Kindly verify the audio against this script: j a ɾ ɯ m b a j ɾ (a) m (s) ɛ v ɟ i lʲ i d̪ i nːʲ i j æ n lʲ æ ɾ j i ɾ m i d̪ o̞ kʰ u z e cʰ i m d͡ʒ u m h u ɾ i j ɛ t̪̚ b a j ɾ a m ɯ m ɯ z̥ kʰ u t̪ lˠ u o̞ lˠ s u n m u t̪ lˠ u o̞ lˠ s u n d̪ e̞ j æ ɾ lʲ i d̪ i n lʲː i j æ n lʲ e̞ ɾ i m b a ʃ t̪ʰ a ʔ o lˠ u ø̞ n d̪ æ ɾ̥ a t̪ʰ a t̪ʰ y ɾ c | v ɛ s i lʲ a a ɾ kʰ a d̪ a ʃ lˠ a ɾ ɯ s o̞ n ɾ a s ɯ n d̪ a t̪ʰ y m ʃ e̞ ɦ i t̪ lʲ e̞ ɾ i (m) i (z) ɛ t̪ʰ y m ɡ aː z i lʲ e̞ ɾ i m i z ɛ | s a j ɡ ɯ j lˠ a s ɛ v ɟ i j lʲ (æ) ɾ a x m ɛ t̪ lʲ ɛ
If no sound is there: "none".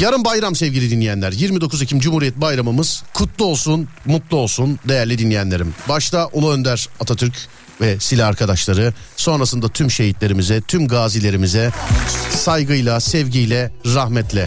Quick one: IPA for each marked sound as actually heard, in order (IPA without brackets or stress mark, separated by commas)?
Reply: a, s, m, z, ɛ